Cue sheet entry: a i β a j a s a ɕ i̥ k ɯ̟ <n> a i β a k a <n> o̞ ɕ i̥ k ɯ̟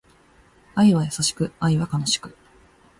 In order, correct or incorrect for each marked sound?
incorrect: none, correct

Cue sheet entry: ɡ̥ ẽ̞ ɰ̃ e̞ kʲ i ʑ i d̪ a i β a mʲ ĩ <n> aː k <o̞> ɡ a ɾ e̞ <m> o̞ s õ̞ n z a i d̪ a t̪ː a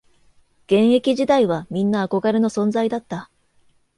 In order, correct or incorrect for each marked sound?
incorrect: nː, correct, incorrect: n

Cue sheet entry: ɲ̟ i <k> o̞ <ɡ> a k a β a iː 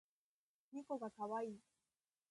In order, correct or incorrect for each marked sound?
correct, correct

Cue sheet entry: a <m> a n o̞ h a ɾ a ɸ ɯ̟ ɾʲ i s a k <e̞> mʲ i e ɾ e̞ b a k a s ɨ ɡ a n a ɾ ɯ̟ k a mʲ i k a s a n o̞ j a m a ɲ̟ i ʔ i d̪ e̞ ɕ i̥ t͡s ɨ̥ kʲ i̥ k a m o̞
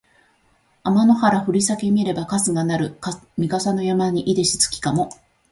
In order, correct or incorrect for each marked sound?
correct, correct

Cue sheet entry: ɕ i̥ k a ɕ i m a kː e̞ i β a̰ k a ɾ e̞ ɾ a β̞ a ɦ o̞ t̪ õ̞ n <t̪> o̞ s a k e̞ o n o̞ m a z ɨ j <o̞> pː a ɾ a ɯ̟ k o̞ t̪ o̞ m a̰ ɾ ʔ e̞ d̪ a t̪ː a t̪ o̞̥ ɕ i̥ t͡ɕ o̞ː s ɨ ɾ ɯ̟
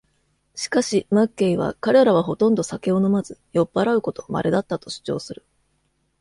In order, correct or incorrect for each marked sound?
incorrect: d̪, correct

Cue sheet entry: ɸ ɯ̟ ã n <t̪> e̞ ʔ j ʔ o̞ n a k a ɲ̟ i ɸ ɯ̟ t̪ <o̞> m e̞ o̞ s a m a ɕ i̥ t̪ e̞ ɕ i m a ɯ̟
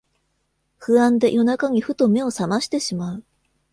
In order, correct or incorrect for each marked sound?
incorrect: d̪, correct

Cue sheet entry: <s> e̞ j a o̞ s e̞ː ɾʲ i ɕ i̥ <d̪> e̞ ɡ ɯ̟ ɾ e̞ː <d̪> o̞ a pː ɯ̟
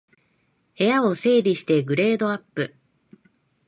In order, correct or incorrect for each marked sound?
incorrect: h, incorrect: t̪, correct

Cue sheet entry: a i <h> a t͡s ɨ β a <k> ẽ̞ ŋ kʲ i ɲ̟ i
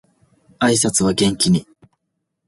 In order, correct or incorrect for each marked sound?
incorrect: s, incorrect: ɡ

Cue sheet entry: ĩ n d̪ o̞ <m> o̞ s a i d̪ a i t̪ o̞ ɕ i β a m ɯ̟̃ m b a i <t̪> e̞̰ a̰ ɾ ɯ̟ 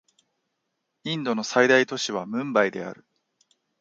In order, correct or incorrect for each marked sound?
incorrect: n, incorrect: d̪

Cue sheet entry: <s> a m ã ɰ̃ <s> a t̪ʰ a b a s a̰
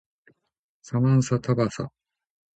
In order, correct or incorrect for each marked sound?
correct, correct

